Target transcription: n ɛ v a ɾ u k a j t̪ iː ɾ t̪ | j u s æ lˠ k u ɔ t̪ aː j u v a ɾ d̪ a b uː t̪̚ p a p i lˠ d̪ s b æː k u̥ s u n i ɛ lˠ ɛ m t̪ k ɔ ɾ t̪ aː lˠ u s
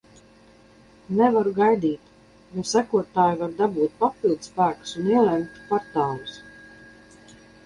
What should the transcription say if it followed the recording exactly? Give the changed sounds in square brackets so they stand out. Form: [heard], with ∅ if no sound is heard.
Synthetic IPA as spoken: n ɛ v a ɾ u [ɡ] a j [d̪] iː [∅] t̪ | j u s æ [∅] k u ɔ t̪ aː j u v a ɾ d̪ a b uː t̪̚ p a p i lˠ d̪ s [p] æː k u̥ s u n i ɛ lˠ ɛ m t̪ [p] ɔ ɾ t̪ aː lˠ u s